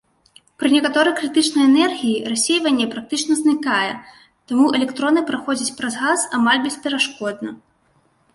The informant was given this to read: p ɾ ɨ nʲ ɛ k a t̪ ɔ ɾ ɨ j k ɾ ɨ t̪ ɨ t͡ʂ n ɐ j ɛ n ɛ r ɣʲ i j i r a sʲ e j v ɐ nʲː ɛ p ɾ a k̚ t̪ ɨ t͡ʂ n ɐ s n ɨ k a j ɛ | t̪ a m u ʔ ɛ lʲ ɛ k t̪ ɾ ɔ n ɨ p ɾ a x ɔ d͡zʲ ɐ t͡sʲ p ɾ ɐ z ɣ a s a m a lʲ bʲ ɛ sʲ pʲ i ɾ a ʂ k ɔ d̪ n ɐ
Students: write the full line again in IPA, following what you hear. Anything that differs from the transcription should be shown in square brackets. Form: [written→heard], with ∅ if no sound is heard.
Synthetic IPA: p ɾ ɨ nʲ ɛ k a t̪ ɔ ɾ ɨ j k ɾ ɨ t̪ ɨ t͡ʂ n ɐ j ɛ n ɛ r ɣʲ i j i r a sʲ e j v ɐ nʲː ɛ p ɾ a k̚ t̪ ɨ t͡ʂ n ɐ [s→z] n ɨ k a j ɛ | t̪ a m u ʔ ɛ lʲ ɛ k t̪ ɾ ɔ n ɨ p ɾ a x ɔ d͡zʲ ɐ t͡sʲ p ɾ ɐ z ɣ a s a m a lʲ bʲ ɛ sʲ pʲ [i→ɛ] ɾ a ʂ k ɔ d̪ n ɐ

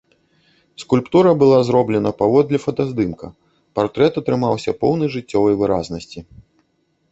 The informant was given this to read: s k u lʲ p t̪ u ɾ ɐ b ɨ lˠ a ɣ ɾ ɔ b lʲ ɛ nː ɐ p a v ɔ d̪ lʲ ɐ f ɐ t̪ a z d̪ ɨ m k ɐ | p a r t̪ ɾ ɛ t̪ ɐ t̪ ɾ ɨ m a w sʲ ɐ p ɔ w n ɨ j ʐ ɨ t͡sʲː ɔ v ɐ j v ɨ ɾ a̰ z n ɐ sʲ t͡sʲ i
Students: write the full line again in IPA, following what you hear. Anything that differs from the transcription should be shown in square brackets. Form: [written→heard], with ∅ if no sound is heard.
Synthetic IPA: s k u lʲ p t̪ u ɾ ɐ b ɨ lˠ a [ɣ→z] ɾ ɔ b lʲ ɛ [nː→n] ɐ p a v ɔ d̪ lʲ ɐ f ɐ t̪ a z d̪ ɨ m k ɐ | p a r t̪ ɾ ɛ t̪ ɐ t̪ ɾ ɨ m a w sʲ ɐ p ɔ w n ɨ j ʐ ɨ t͡sʲː ɔ v ɐ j v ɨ ɾ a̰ z n ɐ sʲ t͡sʲ i

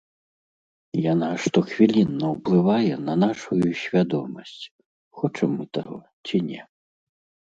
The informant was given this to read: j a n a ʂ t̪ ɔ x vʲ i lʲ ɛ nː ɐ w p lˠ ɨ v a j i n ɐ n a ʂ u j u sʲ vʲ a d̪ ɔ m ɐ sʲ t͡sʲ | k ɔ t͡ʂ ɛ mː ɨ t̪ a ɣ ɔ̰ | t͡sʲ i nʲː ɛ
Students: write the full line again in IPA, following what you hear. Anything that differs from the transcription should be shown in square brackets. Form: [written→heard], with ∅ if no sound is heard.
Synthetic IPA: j a n a ʂ t̪ ɔ x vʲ i lʲ [ɛ→i] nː ɐ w p lˠ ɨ v a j [i→ɛ] n ɐ n a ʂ u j u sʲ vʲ a d̪ ɔ m ɐ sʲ t͡sʲ | [k→x] ɔ t͡ʂ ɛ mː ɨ t̪ a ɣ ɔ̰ | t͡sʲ i [nʲː→nʲ] ɛ

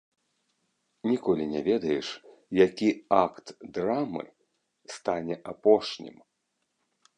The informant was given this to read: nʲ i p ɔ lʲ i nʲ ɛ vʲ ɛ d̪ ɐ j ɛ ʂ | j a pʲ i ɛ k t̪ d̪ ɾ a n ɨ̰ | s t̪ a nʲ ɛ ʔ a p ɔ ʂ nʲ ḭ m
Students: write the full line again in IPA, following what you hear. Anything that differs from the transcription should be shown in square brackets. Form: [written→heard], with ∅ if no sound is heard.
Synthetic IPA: nʲ i [p→k] ɔ lʲ i nʲ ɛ vʲ ɛ d̪ ɐ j ɛ ʂ | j a [pʲ→kʲ] i [ɛ→a] k t̪ d̪ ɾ a [n→m] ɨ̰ | s t̪ a nʲ ɛ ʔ a p ɔ ʂ nʲ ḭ m

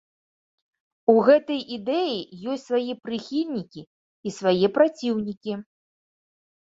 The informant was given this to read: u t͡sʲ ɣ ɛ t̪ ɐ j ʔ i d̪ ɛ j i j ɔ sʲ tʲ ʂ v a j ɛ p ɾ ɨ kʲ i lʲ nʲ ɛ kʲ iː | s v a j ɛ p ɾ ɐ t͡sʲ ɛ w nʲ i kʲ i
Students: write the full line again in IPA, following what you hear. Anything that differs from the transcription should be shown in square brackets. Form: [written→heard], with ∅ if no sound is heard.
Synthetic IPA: u [t͡sʲ→∅] ɣ ɛ t̪ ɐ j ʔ i d̪ ɛ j i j ɔ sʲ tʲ [ʂ→s] v a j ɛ p ɾ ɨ [kʲ→xʲ] i lʲ nʲ [ɛ→i] kʲ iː | s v a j ɛ p ɾ [ɐ→a] t͡sʲ [ɛ→i] w nʲ i kʲ i

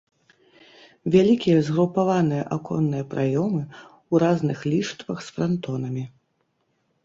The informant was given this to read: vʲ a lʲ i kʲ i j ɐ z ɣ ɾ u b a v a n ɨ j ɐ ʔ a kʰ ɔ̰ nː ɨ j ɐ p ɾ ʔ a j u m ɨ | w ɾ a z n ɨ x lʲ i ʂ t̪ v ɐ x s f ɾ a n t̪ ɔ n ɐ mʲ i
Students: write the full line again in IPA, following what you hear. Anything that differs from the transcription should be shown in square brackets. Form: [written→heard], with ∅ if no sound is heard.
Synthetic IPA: vʲ a lʲ i kʲ i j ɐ z ɣ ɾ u [b→p] a v a n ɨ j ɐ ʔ a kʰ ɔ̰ nː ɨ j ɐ p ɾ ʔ a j [u→ɔ] m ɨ | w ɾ a z n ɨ x lʲ i ʂ t̪ v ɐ x s f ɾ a n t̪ ɔ n ɐ mʲ i

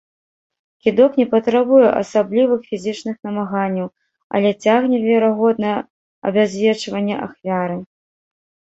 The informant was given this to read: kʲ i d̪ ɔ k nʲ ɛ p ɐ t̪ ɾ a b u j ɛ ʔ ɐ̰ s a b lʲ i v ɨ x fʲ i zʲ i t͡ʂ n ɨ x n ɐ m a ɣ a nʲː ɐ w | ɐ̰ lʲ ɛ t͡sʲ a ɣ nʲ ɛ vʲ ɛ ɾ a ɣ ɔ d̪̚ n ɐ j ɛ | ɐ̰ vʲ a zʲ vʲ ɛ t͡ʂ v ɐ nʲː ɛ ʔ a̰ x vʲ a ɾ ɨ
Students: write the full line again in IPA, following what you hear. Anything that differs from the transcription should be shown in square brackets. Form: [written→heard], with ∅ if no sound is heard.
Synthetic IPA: kʲ i d̪ ɔ k nʲ ɛ p ɐ t̪ ɾ a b u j ɛ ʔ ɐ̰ s a b lʲ i v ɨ x fʲ i zʲ i t͡ʂ n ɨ x n ɐ m a ɣ a nʲː ɐ w | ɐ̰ lʲ ɛ t͡sʲ a ɣ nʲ ɛ vʲ ɛ ɾ a ɣ ɔ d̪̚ n ɐ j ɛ | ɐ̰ [vʲ→bʲ] a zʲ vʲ ɛ t͡ʂ v ɐ nʲː ɛ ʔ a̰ x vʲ a ɾ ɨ

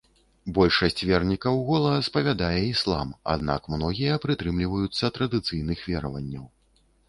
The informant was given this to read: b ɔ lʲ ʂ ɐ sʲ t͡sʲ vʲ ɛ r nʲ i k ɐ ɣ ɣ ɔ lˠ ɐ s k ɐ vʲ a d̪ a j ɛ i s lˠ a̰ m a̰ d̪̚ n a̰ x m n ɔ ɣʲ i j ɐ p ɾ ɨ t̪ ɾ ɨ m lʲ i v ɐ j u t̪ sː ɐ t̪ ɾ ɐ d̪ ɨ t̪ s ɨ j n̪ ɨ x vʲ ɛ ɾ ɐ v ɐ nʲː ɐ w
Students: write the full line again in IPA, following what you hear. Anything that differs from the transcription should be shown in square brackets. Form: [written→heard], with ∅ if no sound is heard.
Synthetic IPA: b ɔ lʲ ʂ ɐ sʲ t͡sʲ vʲ ɛ r nʲ i k ɐ [ɣ→w] ɣ ɔ lˠ ɐ s [k→p] ɐ vʲ a d̪ a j ɛ i s lˠ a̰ m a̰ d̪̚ n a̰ [x→k] m n ɔ ɣʲ i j ɐ p ɾ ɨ t̪ ɾ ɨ m lʲ i v ɐ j u t̪ sː ɐ t̪ ɾ ɐ d̪ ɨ t̪ s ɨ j n̪ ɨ x vʲ ɛ ɾ ɐ v ɐ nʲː ɐ w

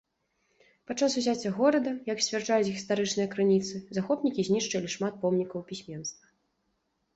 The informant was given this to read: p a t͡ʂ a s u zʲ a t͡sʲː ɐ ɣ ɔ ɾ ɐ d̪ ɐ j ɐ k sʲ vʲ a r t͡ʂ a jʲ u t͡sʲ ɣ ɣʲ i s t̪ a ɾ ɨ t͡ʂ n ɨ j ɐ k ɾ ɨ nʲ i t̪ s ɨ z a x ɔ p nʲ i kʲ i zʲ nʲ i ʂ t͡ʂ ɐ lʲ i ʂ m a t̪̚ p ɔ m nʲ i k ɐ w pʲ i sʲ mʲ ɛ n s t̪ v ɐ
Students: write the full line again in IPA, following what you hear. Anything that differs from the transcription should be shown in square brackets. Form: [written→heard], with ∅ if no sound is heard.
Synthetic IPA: p a t͡ʂ a s u zʲ a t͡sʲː ɐ ɣ ɔ ɾ ɐ d̪ ɐ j ɐ k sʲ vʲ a r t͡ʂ a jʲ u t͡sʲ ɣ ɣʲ i s t̪ a ɾ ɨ t͡ʂ n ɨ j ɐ k ɾ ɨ nʲ i t̪ s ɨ z a x ɔ p nʲ i kʲ i zʲ nʲ i ʂ t͡ʂ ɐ lʲ i ʂ m a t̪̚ p ɔ m nʲ i k ɐ w pʲ i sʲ mʲ ɛ n s t̪ v ɐ

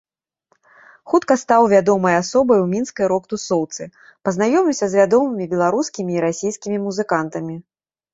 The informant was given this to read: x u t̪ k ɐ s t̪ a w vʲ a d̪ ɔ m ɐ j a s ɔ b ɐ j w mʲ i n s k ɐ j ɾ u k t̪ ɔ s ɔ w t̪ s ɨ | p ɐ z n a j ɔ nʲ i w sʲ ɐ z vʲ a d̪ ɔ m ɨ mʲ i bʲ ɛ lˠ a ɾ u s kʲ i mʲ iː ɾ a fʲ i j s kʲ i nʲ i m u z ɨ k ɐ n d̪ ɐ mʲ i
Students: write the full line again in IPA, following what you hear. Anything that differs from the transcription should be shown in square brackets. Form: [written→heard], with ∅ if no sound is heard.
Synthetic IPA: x u t̪ k ɐ s t̪ a w vʲ a d̪ ɔ m ɐ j a s ɔ b ɐ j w mʲ i n s k ɐ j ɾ [u→ɔ] k t̪ [ɔ→u] s ɔ w t̪ s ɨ | p ɐ z n a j ɔ [nʲ→mʲ] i w sʲ ɐ z vʲ a d̪ ɔ m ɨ mʲ i bʲ ɛ lˠ a ɾ u s kʲ i mʲ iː ɾ a [fʲ→sʲ] i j s kʲ i [nʲ→mʲ] i m u z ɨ k [ɐ→a] n [d̪→t̪] ɐ mʲ i

